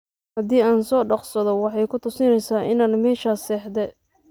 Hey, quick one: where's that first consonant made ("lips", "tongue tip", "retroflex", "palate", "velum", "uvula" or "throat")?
throat